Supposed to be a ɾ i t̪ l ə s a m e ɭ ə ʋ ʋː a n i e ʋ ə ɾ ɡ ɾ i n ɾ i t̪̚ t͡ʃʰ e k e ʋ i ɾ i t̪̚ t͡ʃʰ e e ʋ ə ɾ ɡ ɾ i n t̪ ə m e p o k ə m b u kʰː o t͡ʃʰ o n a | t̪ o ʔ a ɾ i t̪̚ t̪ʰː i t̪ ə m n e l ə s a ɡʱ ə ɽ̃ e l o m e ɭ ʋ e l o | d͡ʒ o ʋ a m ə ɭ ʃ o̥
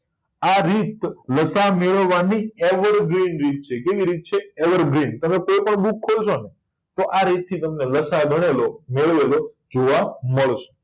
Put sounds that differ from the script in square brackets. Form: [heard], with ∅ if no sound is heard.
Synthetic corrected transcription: a ɾ i t̪ l ə s a m e ɭ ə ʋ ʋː a n i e ʋ ə ɾ ɡ ɾ i n ɾ i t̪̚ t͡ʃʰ e k e ʋ i ɾ i t̪̚ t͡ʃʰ e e ʋ ə ɾ ɡ ɾ i n t̪ ə m e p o [p] ə [ɳ] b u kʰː o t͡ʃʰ o n [e] | t̪ o ʔ a ɾ i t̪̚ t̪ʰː i t̪ ə m n e l ə s a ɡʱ ə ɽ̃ e l o m e ɭ ʋ e l o | d͡ʒ o ʋ a m ə ɭ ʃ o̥